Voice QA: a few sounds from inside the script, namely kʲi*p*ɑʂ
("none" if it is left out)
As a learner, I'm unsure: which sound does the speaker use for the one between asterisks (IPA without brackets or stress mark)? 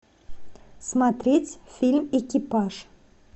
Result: p